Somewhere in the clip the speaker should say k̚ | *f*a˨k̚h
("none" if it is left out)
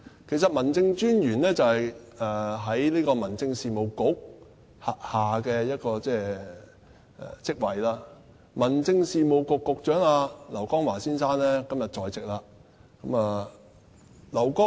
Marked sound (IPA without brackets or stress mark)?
h